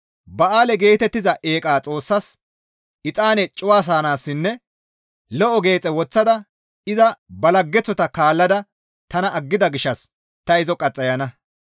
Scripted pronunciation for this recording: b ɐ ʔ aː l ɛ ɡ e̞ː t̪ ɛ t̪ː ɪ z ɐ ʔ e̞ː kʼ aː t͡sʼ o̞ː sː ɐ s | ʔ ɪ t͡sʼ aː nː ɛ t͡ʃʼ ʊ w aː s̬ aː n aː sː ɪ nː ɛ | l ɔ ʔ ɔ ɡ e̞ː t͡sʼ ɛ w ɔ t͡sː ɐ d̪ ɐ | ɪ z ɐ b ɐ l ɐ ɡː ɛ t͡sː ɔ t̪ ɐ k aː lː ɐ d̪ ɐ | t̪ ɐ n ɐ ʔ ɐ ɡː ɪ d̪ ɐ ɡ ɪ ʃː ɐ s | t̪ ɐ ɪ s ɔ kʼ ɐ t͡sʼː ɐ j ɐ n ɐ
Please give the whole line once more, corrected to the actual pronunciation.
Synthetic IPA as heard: b ɐ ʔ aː l ɛ ɡ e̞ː t̪ ɛ t̪ː ɪ z ɐ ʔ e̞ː kʼ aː t͡sʼ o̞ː sː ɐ s | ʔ ɪ t͡sʼ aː n ɛ t͡ʃʼ ʊ w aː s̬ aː n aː sː ɪ nː ɛ | l ɔ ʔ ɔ ɡ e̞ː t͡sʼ ɛ w ɔ t͡sː ɐ d̪ ɐ | ɪ z ɐ b ɐ l ɐ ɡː ɛ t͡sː ɔ t̪ ɐ k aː lː ɐ d̪ ɐ | t̪ ɐ n ɐ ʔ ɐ ɡː ɪ d̪ ɐ ɡ ɪ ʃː ɐ s | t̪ ɐ ɪ z ɔ kʼ ɐ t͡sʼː ɐ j ɐ n ɐ